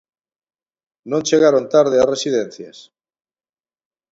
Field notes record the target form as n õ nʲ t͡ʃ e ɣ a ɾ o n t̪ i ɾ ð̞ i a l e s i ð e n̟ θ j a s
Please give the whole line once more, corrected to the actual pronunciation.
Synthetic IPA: n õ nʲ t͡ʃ e ɣ a ɾ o n t̪ a ɾ ð̞ e a r e s i ð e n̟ θ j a s